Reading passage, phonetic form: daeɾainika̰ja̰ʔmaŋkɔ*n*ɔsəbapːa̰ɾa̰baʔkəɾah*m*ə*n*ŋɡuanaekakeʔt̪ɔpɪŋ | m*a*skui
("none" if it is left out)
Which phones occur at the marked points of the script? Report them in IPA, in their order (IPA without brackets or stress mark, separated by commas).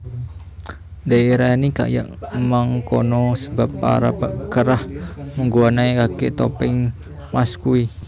n, m, none, a